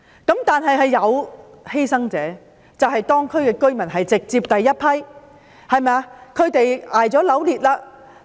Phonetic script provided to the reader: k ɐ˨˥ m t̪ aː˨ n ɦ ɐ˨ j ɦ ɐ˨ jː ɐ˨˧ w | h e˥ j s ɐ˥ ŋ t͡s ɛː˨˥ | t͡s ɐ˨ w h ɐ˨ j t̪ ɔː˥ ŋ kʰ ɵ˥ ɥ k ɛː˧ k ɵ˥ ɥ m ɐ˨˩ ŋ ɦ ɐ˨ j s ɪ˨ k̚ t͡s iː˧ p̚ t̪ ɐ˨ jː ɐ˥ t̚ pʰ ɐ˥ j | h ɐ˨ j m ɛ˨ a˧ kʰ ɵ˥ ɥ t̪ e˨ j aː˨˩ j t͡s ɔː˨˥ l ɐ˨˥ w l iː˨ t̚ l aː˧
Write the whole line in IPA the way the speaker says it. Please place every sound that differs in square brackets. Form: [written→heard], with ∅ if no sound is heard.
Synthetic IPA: k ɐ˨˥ m t̪ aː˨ n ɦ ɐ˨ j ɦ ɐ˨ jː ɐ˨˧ w | h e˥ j s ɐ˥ ŋ t͡s ɛː˨˥ | t͡s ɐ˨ w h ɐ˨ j t̪ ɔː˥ ŋ kʰ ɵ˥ ɥ k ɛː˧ k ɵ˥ ɥ m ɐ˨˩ [ŋ→n] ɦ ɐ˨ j [s→t͡s] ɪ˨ k̚ t͡s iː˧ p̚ t̪ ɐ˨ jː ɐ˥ t̚ pʰ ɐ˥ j | h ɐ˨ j m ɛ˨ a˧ kʰ [ɵ˥→ɵ˨˧] ɥ t̪ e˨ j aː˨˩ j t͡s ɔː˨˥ l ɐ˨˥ w l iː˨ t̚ l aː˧

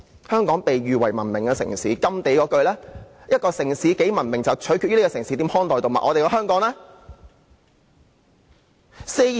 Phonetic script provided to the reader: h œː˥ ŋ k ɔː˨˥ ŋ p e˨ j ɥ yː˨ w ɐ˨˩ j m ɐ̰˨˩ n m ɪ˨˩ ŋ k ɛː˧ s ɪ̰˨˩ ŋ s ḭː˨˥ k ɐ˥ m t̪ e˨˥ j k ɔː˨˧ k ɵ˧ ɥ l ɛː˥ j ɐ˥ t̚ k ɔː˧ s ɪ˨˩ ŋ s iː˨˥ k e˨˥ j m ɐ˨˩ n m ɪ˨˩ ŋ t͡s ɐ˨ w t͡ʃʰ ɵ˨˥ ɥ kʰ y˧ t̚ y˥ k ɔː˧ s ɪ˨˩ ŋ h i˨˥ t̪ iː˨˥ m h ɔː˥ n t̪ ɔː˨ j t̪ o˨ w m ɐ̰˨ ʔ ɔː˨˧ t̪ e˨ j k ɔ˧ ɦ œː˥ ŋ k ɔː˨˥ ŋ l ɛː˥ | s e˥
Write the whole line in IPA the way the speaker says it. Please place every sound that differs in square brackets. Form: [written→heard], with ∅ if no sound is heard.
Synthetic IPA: h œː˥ ŋ k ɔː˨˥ ŋ p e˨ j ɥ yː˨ w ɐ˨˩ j m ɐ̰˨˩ n m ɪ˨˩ ŋ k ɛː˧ s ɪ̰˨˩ ŋ s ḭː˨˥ k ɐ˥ m t̪ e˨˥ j k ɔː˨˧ k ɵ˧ ɥ l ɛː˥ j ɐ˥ t̚ k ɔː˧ s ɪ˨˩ ŋ s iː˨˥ k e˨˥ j m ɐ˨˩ n m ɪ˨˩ ŋ t͡s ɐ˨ w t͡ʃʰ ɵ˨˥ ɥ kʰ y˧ t̚ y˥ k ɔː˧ s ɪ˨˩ ŋ [h→s] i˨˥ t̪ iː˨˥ m h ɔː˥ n t̪ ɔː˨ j t̪ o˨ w m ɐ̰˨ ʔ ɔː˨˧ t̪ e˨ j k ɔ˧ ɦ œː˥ ŋ k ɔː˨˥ ŋ l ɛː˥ | s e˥

